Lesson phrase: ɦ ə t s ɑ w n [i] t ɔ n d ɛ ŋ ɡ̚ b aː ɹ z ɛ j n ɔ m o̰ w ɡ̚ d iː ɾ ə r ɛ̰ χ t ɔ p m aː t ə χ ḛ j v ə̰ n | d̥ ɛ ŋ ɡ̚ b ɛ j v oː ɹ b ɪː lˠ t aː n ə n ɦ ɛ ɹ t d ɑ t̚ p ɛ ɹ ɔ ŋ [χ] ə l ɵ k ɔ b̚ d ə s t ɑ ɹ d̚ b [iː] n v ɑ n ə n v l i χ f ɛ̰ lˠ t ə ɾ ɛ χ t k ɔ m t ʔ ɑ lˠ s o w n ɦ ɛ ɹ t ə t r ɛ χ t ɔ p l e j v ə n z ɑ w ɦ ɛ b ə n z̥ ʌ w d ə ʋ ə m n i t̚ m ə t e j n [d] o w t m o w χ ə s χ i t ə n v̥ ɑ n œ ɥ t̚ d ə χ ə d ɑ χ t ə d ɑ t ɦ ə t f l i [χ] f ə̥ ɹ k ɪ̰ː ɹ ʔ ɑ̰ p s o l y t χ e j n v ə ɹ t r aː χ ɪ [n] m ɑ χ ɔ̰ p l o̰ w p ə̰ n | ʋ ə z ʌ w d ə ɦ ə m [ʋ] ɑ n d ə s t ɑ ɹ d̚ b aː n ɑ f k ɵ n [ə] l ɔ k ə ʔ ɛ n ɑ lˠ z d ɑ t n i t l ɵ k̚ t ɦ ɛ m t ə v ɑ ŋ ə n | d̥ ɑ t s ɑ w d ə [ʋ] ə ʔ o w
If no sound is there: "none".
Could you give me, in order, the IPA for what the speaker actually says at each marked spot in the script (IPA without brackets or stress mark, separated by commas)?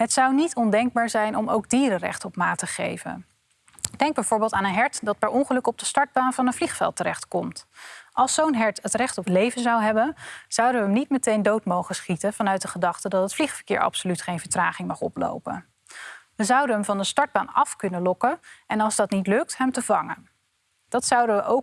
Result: i, χ, aː, d, χ, ŋ, v, ə, ʋ